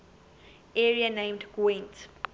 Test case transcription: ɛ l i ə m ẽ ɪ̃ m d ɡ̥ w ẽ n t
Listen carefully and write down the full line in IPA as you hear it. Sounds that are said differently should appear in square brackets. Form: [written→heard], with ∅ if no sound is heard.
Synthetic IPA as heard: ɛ [l→ɹ] i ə [m→n] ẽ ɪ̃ m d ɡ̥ w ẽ n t